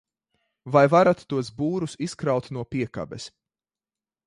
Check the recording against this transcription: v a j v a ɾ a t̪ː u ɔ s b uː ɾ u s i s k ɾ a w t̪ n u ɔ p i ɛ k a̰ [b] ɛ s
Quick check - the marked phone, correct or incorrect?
correct